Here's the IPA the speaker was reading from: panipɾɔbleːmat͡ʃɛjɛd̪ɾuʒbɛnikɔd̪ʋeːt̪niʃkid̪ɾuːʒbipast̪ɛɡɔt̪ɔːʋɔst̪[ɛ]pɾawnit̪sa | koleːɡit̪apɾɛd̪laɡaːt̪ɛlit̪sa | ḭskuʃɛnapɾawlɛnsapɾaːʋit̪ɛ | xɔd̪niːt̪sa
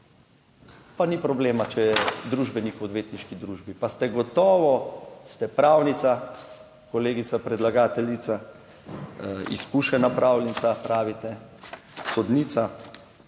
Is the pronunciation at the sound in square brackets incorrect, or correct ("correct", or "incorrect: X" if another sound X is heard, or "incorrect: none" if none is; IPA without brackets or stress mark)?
correct